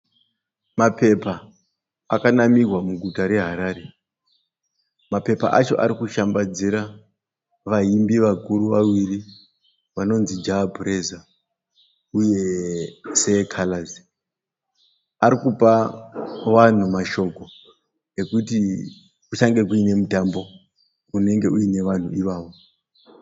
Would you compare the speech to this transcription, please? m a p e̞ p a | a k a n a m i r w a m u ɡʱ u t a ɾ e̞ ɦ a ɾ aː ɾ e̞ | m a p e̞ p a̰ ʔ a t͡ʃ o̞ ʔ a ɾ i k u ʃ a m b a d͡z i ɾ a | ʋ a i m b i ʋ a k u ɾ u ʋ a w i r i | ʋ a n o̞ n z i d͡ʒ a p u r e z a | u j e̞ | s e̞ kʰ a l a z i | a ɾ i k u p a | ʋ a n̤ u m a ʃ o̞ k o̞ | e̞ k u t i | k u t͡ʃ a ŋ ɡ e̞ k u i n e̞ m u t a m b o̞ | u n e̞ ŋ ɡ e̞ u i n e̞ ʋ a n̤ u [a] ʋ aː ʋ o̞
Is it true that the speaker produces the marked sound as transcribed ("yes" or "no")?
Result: no